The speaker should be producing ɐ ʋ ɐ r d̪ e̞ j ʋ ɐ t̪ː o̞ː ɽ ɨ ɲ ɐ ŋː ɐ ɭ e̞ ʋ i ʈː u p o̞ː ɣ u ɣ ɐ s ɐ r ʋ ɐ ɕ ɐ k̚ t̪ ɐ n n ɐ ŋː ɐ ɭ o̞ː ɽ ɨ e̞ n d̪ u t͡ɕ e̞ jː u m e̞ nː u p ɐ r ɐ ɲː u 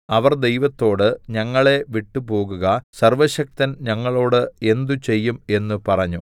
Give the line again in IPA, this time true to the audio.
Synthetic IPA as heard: ɐ ʋ ɐ r d̪ e̞ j ʋ ɐ t̪ː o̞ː ɽ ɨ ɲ ɐ ŋː ɐ ɭ e̞ ʋ i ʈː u p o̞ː ɣ u ɣ ɐ s ɐ r ʋ ɐ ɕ ɐ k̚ t̪ ɐ n ɲ ɐ ŋː ɐ ɭ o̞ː ɽ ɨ e̞ n d̪ u t͡ɕ e̞ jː u m e̞ nː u p ɐ r ɐ ɲː u